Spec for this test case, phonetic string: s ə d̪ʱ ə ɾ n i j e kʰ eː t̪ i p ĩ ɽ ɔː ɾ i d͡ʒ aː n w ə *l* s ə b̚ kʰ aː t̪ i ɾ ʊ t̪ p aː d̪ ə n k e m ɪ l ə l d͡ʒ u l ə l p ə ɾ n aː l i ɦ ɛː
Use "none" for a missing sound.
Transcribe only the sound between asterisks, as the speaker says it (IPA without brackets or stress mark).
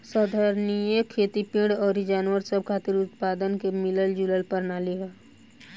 ɾ